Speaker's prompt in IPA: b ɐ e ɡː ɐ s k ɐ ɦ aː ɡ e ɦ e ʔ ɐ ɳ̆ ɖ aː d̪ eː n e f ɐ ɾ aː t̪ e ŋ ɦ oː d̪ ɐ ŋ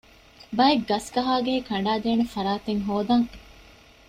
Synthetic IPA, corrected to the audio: b ɐ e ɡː ɐ s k ɐ ɦ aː ɡ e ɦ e k ɐ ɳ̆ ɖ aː d̪ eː n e f ɐ ɾ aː t̪ e ŋ ɦ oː d̪ ɐ ŋ